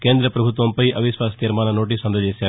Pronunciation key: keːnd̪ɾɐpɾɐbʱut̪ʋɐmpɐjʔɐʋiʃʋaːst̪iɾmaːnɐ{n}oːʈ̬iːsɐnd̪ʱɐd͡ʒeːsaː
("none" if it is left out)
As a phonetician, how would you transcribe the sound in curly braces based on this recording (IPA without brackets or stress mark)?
n